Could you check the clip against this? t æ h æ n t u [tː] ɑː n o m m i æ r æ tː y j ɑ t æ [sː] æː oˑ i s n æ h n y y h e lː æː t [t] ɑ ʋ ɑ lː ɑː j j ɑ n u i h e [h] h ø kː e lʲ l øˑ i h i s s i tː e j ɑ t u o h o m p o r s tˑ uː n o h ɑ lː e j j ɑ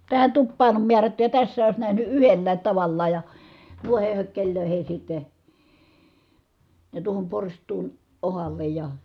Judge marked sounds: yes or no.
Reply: no, yes, yes, yes

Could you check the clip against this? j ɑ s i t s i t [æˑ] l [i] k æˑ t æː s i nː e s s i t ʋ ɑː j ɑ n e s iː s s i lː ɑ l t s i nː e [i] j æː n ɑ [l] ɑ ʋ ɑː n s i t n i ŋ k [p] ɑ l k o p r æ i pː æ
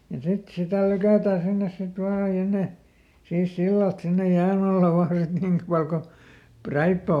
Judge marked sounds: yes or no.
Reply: yes, no, no, no, yes

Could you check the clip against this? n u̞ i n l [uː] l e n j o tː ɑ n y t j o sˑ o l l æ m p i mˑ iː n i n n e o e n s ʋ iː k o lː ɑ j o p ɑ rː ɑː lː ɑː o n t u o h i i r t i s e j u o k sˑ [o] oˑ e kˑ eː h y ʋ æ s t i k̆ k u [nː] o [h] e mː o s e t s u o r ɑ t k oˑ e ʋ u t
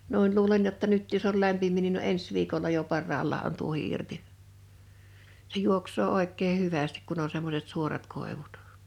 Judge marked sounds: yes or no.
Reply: yes, no, no, no

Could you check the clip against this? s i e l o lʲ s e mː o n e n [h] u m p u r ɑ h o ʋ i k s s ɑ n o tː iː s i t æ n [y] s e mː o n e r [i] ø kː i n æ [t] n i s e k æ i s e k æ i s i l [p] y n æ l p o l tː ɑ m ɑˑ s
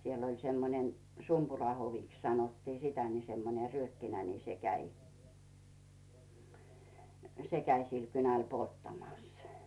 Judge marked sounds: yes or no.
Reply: no, no, no, no, no

